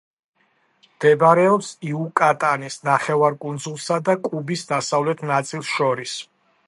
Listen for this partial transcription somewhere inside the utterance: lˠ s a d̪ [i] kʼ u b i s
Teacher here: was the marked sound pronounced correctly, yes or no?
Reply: no